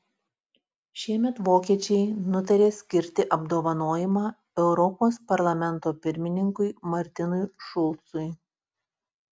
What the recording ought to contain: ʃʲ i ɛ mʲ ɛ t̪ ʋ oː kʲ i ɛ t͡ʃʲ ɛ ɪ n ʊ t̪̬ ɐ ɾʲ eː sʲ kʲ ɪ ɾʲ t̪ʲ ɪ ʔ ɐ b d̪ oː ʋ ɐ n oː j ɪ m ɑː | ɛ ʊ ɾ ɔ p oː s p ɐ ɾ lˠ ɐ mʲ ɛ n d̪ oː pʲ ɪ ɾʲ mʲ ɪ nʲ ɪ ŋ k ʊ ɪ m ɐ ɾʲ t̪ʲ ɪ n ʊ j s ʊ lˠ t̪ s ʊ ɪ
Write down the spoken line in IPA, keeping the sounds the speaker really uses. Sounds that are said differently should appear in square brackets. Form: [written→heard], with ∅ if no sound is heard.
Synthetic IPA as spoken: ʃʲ i ɛ mʲ ɛ t̪ ʋ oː kʲ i ɛ t͡ʃʲ ɛ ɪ n ʊ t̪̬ ɐ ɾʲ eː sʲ kʲ ɪ ɾʲ t̪ʲ ɪ ʔ ɐ b d̪ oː ʋ ɐ n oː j ɪ m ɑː | ɛ ʊ ɾ ɔ p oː s p ɐ ɾ lˠ ɐ mʲ ɛ n [d̪→t̪] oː pʲ ɪ ɾʲ mʲ ɪ nʲ ɪ ŋ k ʊ ɪ m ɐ ɾʲ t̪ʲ ɪ n ʊ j [s→ʃ] ʊ lˠ t̪ s ʊ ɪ

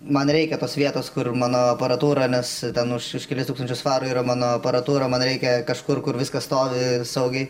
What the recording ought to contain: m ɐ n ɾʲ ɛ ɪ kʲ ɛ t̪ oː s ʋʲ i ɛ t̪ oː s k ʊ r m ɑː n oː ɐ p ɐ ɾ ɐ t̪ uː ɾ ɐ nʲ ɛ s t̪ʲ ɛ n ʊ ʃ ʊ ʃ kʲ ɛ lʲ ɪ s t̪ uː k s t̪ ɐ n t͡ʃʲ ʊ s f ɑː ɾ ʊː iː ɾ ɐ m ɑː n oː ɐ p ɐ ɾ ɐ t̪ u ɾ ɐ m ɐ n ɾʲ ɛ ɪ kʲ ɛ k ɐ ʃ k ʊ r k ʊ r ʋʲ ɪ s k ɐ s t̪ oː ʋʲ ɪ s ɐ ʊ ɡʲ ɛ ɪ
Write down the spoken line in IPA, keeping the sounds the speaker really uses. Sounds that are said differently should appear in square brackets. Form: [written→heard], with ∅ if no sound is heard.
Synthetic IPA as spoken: m ɐ n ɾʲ ɛ ɪ kʲ ɛ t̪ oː s ʋʲ i ɛ t̪ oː s k ʊ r m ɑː n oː ɐ p ɐ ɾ ɐ t̪ uː ɾ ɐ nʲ ɛ s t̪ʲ ɛ n ʊ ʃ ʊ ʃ kʲ ɛ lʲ ɪ s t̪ [uː→u] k s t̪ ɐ n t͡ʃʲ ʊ s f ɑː ɾ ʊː iː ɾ ɐ m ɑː n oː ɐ p ɐ ɾ ɐ t̪ [u→uː] ɾ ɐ m ɐ n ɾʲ ɛ ɪ kʲ ɛ k ɐ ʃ k ʊ r k ʊ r ʋʲ ɪ s k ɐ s t̪ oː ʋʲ ɪ s ɐ ʊ ɡʲ ɛ ɪ

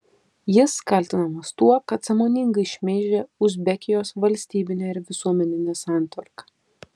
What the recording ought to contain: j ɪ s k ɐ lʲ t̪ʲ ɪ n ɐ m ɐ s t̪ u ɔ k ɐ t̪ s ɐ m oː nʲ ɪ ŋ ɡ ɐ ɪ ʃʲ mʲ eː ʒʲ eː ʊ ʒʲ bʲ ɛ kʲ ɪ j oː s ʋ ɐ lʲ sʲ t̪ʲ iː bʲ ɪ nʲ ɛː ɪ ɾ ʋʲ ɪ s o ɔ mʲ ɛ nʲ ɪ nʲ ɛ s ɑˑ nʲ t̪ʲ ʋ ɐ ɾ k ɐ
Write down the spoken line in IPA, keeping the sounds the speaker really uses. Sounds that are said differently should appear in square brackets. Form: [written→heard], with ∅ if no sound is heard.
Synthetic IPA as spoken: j ɪ s k ɐ lʲ t̪ʲ ɪ n ɐ m ɐ s t̪ u ɔ k ɐ t̪ s ɐ m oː nʲ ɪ ŋ ɡ ɐ ɪ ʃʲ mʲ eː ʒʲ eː ʊ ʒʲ bʲ ɛ kʲ ɪ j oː s ʋ ɐ lʲ sʲ t̪ʲ iː bʲ ɪ nʲ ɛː ɪ ɾ ʋʲ ɪ s [o→u] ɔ mʲ ɛ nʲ ɪ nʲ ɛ s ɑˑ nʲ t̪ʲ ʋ ɐ ɾ k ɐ

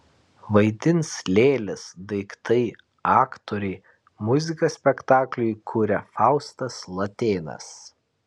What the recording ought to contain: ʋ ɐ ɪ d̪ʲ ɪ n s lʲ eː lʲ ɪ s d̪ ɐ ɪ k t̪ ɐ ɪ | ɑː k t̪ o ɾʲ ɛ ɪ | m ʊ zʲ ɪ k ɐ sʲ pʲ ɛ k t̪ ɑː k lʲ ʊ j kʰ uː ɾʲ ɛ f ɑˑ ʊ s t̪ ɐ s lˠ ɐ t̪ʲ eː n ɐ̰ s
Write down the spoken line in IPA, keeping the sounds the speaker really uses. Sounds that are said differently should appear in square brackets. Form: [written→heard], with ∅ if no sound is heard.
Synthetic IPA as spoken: ʋ ɐ ɪ d̪ʲ ɪ n s lʲ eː lʲ ɪ s d̪ ɐ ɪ k t̪ ɐ ɪ | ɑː k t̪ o ɾʲ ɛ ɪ | m ʊ zʲ ɪ k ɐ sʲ pʲ ɛ k t̪ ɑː k lʲ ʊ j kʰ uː ɾʲ ɛ f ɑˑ ʊ s t̪ ɐ s lˠ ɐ t̪ʲ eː n ɐ̰ s

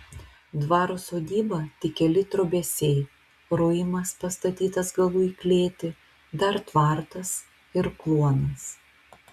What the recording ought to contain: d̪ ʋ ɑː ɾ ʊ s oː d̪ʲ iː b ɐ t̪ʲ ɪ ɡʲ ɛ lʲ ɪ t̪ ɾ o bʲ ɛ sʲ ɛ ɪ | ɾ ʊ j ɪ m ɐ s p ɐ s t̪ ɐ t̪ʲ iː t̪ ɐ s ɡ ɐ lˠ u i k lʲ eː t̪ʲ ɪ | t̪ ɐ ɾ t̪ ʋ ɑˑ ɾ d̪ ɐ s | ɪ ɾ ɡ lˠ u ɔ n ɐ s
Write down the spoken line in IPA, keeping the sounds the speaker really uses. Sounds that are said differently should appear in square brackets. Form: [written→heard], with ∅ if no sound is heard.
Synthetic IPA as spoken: d̪ ʋ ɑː ɾ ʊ s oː d̪ʲ iː b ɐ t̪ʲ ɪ [ɡʲ→kʲ] ɛ lʲ ɪ t̪ ɾ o bʲ ɛ sʲ ɛ ɪ | ɾ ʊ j ɪ m ɐ s p ɐ s t̪ ɐ t̪ʲ iː t̪ ɐ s ɡ ɐ lˠ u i k lʲ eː t̪ʲ ɪ | [t̪→d̪] ɐ ɾ t̪ ʋ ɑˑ ɾ [d̪→t̪] ɐ s | ɪ ɾ [ɡ→k] lˠ u ɔ n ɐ s

